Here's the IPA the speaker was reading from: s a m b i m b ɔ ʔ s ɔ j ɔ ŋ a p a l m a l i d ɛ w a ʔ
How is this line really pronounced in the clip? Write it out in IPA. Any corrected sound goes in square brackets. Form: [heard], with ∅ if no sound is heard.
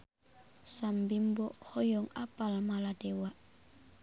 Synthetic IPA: s a m b i m b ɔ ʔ [h] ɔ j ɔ ŋ a p a l m a l [a] d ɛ w a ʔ